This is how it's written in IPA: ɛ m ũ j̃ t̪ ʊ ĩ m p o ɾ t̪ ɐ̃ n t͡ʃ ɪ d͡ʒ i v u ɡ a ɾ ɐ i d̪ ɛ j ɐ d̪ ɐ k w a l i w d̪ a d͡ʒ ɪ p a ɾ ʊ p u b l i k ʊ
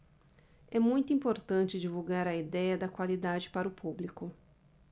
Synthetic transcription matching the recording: ɛ m ũ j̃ t̪ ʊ ĩ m p o ɾ t̪ ɐ̃ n t͡ʃ ɪ d͡ʒ i v u ɡ a ɾ ɐ i d̪ ɛ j ɐ d̪ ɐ k w a l i d̪ a d͡ʒ ɪ p a ɾ ʊ p u b l i k ʊ